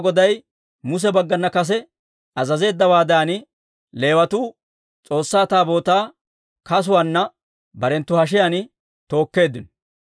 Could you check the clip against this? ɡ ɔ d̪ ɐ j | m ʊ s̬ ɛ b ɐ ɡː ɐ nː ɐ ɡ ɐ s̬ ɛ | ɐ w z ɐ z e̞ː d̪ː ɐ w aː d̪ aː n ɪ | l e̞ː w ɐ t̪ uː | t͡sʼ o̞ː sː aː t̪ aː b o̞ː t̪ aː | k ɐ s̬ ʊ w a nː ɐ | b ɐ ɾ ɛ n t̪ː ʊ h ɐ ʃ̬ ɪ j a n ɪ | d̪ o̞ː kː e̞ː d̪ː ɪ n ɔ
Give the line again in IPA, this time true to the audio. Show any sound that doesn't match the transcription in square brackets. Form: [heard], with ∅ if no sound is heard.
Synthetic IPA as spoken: ɡ ɔ d̪ ɐ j | m ʊ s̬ ɛ b ɐ ɡː ɐ nː ɐ [k] ɐ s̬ ɛ | ɐ [∅] z ɐ z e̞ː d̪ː ɐ w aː d̪ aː n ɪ | l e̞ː w ɐ t̪ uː | t͡sʼ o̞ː sː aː t̪ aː b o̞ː t̪ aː | k ɐ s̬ ʊ w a nː ɐ | b ɐ ɾ ɛ n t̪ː ʊ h ɐ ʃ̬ ɪ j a n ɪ | [t̪] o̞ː kː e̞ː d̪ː ɪ n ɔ